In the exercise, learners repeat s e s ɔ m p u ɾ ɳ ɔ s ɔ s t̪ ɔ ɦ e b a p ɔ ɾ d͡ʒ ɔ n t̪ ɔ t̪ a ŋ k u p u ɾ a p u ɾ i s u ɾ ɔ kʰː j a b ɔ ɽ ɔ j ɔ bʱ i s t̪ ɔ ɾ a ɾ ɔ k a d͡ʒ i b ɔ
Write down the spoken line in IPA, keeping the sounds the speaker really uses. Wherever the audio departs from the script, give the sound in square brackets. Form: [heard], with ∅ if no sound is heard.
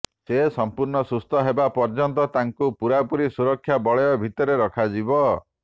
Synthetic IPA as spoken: s e s ɔ m p u ɾ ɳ ɔ s [u] s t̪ ɔ ɦ e b a p ɔ ɾ d͡ʒ ɔ n t̪ ɔ t̪ a ŋ k u p u ɾ a p u ɾ i s u ɾ ɔ kʰː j a b ɔ [ɭ] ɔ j ɔ bʱ i [∅] t̪ ɔ ɾ [e] ɾ ɔ [kʰ] a d͡ʒ i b ɔ